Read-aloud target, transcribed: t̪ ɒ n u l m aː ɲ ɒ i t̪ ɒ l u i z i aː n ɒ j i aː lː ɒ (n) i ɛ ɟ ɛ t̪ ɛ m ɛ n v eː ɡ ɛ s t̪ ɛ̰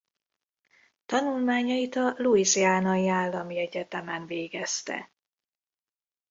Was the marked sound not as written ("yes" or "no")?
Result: yes